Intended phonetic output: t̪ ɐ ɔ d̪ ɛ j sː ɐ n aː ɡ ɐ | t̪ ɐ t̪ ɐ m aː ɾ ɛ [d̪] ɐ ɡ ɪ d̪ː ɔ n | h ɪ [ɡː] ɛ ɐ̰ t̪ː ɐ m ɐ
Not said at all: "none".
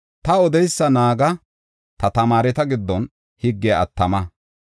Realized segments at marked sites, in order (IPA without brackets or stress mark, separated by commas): t̪, ɡː